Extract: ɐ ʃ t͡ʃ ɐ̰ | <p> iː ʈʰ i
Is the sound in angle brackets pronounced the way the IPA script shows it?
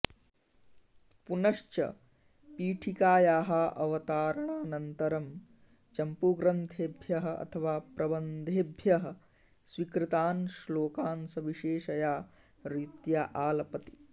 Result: yes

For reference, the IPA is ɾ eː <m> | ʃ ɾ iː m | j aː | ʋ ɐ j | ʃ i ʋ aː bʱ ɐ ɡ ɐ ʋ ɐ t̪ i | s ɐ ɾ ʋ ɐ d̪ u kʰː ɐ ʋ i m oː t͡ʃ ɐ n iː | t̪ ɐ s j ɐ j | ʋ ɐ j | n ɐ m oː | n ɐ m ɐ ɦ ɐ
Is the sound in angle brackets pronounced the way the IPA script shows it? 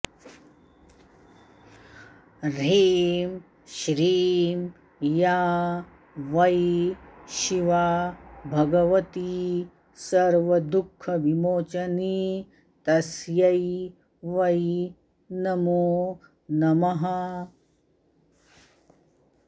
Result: yes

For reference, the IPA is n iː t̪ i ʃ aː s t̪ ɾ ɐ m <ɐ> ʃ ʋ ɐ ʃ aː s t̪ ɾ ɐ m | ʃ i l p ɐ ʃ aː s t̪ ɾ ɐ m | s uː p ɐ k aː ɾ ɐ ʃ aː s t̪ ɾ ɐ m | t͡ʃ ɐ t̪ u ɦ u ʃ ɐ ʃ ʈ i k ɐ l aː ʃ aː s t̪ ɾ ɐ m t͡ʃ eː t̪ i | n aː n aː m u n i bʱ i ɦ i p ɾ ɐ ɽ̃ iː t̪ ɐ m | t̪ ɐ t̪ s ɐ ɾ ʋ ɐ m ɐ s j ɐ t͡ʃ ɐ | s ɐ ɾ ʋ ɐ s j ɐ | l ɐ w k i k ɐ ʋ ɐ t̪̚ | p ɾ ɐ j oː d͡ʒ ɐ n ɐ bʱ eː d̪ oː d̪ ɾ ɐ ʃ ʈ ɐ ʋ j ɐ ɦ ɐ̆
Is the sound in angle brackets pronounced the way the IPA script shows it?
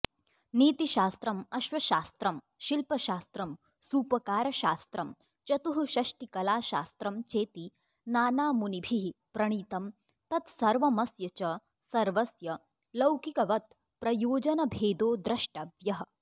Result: yes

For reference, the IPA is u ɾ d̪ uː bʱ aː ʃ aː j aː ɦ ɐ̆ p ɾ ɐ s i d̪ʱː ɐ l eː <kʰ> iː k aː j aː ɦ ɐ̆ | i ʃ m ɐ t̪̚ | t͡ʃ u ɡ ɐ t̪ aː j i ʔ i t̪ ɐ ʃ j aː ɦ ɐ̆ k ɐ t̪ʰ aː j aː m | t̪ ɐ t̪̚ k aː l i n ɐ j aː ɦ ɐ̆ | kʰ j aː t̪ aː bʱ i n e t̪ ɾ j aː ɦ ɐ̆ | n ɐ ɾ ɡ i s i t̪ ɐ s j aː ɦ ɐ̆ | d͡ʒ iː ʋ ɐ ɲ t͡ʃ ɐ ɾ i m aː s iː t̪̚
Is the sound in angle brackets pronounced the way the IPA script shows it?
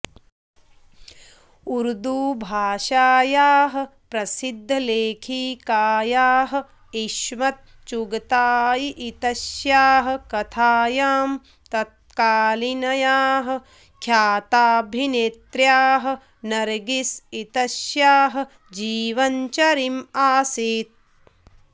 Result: yes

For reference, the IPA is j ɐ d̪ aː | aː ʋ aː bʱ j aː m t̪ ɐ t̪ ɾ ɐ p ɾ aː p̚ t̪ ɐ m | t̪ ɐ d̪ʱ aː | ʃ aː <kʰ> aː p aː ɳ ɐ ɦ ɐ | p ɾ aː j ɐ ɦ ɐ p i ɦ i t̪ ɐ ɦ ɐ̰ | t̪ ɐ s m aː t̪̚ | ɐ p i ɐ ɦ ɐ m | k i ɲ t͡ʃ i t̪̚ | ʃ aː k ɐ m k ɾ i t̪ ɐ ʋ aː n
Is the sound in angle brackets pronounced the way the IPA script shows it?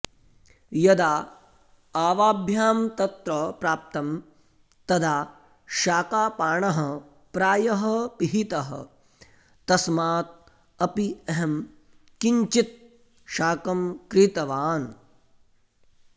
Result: no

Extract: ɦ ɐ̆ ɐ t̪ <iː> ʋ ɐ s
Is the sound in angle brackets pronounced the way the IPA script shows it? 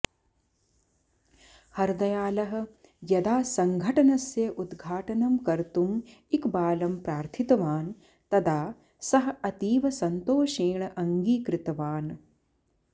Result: yes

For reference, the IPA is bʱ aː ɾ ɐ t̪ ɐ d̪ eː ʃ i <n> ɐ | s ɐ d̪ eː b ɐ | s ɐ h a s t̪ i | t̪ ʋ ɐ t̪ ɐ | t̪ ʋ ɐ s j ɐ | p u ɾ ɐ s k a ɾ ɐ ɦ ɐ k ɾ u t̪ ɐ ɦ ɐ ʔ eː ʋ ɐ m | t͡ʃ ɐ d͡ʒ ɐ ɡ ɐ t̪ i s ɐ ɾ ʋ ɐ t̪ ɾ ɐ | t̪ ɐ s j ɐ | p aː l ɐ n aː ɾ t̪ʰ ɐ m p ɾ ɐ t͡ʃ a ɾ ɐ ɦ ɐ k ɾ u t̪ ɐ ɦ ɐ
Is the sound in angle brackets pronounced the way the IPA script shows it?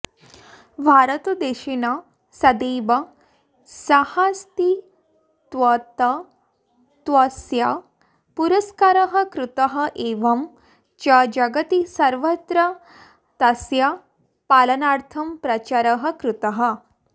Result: yes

